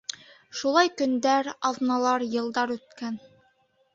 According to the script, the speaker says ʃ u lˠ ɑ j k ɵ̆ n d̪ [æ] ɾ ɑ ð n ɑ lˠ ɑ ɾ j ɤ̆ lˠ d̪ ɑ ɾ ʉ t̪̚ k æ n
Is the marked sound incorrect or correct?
correct